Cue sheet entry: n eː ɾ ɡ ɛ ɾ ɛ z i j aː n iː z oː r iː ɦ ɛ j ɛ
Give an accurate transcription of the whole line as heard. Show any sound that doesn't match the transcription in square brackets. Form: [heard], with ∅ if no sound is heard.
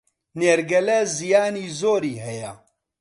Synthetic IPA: n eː ɾ ɡ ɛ [l] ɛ z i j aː n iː z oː [ɾ] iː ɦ ɛ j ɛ